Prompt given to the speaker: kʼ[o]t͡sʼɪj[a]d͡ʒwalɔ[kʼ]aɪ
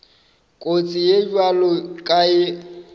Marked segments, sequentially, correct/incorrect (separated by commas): correct, incorrect, correct